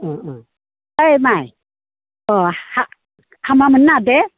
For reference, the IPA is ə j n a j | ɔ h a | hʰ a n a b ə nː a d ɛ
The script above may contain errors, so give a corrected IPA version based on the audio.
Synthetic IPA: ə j m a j | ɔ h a | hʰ a m a m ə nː a d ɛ